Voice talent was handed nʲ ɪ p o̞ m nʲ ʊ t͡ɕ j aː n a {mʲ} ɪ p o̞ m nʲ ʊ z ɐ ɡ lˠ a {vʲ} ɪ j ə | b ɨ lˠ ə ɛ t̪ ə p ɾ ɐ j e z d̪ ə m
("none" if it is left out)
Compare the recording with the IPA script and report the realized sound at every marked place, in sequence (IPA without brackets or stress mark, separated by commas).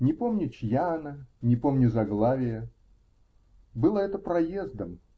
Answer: nʲ, vʲ